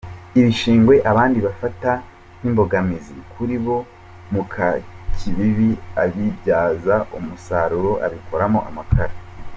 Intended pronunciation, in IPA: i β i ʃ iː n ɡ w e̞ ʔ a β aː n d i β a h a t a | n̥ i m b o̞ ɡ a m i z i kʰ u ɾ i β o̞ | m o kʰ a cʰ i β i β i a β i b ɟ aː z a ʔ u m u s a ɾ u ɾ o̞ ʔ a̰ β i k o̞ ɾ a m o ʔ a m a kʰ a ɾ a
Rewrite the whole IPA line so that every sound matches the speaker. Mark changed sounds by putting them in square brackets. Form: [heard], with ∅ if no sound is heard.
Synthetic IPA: i β i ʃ iː [ŋ] ɡ w e̞ ʔ a β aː n d i β a [f] a t a | n̥ i m b o̞ ɡ a m i z i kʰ u ɾ i β o̞ | m [u] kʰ a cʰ i β i β i a β i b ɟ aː z a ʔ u m u s a ɾ u ɾ o̞ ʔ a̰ β i k o̞ ɾ a m o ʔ a m a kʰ a ɾ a